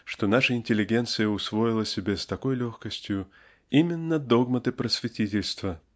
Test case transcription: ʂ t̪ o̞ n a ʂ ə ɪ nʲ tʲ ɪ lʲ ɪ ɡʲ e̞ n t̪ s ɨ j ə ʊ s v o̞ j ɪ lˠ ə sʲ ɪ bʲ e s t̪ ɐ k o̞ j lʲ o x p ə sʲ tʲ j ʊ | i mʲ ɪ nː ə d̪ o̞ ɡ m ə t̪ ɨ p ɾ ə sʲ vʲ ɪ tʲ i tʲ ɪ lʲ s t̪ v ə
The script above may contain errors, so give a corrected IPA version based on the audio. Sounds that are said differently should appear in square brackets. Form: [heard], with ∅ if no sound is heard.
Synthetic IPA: ʂ t̪ o̞ n a ʂ ə ɪ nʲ tʲ ɪ lʲ ɪ ɡʲ e̞ n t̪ s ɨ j ə ʊ s v o̞ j ɪ lˠ ə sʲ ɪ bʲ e s t̪ ɐ k o̞ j lʲ o x [k] ə sʲ tʲ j ʊ | i mʲ ɪ nː ə d̪ o̞ ɡ m ə t̪ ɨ p ɾ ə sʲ vʲ ɪ tʲ i tʲ ɪ lʲ s t̪ v ə